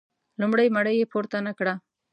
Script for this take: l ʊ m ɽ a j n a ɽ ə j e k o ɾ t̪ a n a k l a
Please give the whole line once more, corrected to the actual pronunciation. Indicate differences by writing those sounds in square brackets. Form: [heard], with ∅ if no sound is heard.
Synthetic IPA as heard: l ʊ m ɽ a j [m] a ɽ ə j e [p] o ɾ t̪ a n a k [ɽ] a

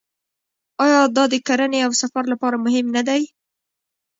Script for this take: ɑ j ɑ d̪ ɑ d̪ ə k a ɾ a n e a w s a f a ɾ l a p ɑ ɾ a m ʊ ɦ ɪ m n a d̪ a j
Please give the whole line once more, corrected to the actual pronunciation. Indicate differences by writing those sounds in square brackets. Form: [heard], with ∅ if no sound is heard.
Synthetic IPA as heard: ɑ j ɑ d̪ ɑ d̪ ə k a ɾ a n e a w s a f a ɾ l a p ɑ ɾ a m ʊ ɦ ɪ m n a d̪ a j

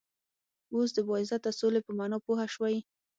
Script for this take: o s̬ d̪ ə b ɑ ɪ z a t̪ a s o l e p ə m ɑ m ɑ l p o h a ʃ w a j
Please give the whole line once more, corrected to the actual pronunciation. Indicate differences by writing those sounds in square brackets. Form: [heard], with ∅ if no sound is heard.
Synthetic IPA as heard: o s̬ d̪ ə b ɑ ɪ z a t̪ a s o l e p ə m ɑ [n] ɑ [∅] p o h a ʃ w a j

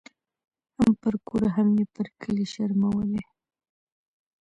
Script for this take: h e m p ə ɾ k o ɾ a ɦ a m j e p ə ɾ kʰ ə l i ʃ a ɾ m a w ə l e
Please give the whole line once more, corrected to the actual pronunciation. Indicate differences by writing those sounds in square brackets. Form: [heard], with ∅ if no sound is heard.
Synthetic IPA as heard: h [a] m p ə ɾ k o ɾ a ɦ a m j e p ə ɾ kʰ ə l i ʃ a ɾ m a w ə l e

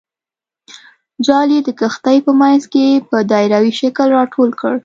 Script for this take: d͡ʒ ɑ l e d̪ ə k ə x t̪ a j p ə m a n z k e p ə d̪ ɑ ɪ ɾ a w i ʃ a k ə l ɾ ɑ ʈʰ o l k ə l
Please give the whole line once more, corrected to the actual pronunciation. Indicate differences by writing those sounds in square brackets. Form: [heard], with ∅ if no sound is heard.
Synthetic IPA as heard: d͡ʒ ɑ l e d̪ ə k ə x t̪ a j p ə m a n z k e p ə d̪ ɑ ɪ ɾ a w i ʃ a k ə l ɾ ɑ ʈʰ o l k ə [ɽ]

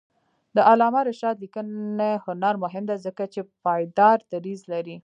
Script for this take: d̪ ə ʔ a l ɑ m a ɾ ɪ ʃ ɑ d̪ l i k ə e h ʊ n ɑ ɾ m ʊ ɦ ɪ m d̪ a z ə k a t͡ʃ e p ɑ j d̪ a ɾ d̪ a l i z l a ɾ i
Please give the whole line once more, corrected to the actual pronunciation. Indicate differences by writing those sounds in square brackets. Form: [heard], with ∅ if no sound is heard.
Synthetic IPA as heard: d̪ ə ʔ a l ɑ m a ɾ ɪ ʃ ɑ d̪ l i k ə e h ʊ n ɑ ɾ m ʊ ɦ ɪ m d̪ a z ə k a t͡ʃ e p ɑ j d̪ [ɑ] ɾ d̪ a [ɾ] i z l a ɾ i

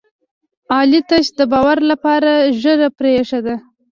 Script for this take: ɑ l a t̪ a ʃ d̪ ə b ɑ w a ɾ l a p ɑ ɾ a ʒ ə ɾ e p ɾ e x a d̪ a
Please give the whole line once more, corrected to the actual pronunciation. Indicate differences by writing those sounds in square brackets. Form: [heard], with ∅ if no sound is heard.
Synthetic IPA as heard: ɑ l [i] t̪ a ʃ d̪ ə b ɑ w a ɾ l a p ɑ ɾ a ʒ ə ɾ [a] p ɾ e [ʂ] a d̪ a

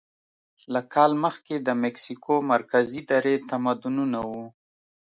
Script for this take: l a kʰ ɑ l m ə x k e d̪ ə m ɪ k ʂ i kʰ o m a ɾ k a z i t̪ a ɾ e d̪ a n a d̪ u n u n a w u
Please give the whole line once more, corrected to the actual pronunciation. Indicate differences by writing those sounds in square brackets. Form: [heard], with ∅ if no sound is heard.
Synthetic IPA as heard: l a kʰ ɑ l m ə x k e d̪ ə m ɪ k [s] i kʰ o m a ɾ k a z i [d̪] a ɾ e [t̪] a [m] a d̪ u n u n a w u

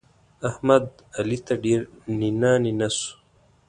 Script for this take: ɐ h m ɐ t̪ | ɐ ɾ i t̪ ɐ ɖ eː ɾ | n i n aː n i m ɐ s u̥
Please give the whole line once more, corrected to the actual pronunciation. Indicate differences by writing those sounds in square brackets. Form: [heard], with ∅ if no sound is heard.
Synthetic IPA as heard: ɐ h m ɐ [d̪] | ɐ [l] i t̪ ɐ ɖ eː ɾ | n i n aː n i [n] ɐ s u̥

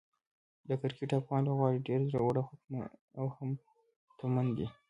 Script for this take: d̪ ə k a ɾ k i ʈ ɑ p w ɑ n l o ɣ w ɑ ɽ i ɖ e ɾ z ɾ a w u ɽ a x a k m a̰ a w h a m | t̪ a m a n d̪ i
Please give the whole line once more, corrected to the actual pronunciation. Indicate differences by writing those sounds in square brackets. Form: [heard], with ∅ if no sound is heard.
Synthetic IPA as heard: d̪ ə k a ɾ k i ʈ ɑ p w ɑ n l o ɣ w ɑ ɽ i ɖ e ɾ z ɾ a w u ɽ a x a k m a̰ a w h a m | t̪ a m a n d̪ i

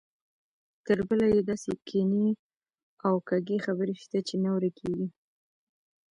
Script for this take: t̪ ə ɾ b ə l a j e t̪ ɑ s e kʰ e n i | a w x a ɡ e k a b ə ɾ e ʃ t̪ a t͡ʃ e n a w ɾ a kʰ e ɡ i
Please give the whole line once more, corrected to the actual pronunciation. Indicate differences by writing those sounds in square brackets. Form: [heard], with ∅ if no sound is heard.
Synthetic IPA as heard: t̪ ə ɾ b ə l a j e [d̪] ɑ s e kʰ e n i | a w [k] a ɡ e [x] a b ə ɾ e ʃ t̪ a t͡ʃ e n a w ɾ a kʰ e ɡ i

